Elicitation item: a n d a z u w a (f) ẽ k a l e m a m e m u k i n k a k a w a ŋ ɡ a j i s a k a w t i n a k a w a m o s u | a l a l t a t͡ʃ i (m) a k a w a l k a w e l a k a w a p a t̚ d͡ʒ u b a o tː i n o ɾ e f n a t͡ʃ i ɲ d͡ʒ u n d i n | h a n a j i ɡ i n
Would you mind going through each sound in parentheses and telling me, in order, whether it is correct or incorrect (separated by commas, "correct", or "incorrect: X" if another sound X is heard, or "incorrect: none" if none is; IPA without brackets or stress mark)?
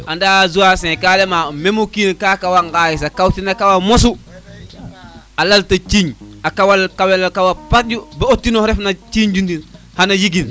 incorrect: s, incorrect: ɲ